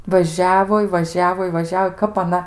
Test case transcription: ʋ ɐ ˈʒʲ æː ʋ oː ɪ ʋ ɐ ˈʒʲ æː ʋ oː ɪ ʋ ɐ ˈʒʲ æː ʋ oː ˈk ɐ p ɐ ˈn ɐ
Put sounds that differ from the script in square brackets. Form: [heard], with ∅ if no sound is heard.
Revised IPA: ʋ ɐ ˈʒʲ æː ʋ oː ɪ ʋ ɐ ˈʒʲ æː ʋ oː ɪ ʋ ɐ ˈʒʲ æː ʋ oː ˈk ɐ p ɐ ˈn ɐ

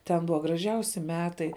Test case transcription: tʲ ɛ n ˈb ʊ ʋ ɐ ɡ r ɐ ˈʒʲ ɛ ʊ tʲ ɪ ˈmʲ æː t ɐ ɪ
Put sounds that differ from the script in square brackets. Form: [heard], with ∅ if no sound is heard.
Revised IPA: tʲ ɛ n ˈb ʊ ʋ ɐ ɡ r ɐ ˈʒʲ ɛ ʊ [sʲ] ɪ ˈmʲ æː t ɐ ɪ

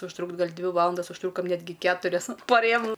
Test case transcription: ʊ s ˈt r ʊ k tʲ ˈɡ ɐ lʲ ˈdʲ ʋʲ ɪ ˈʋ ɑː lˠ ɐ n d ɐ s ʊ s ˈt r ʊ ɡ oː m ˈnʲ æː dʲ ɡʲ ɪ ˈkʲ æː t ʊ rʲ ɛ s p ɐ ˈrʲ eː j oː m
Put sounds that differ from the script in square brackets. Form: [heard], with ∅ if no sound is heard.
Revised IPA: ʊ [ʃ] ˈt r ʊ k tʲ ˈɡ ɐ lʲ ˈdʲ ʋʲ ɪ ˈʋ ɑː lˠ ɐ n d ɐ s ʊ [ʃ] ˈt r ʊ [k] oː m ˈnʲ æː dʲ ɡʲ ɪ ˈkʲ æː t ʊ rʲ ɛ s p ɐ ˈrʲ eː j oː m

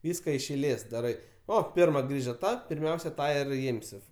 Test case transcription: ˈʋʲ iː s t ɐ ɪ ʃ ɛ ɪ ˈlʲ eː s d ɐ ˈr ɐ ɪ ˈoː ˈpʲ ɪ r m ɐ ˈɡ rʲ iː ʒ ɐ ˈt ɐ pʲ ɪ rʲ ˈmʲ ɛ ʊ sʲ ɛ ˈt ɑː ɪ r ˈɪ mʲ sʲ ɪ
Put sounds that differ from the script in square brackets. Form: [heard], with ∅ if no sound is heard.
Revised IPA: ˈʋʲ iː s [k] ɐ ɪ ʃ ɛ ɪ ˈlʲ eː s d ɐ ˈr ɐ ɪ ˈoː ˈpʲ ɪ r m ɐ ˈɡ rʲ iː ʒ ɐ ˈt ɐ pʲ ɪ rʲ ˈmʲ ɛ ʊ sʲ ɛ ˈt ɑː ɪ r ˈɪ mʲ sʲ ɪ

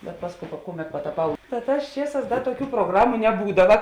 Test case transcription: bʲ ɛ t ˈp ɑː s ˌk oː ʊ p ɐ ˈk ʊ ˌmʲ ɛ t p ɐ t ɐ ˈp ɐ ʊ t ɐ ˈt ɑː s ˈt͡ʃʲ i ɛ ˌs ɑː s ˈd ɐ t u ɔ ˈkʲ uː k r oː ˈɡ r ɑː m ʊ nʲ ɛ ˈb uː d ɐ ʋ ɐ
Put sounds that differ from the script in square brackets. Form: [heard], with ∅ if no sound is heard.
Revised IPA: bʲ ɛ t ˈp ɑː s ˌk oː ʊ p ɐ ˈk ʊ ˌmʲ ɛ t p ɐ t ɐ ˈp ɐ ʊ t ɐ ˈt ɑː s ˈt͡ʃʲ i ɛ ˌs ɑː s ˈd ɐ t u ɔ ˈkʲ uː [p] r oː ˈɡ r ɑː m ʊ nʲ ɛ ˈb uː d ɐ ʋ ɐ

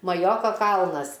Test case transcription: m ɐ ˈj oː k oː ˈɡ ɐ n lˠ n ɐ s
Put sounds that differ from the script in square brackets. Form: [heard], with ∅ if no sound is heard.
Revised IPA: m ɐ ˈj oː k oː [ˈk] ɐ [∅] lˠ n ɐ s

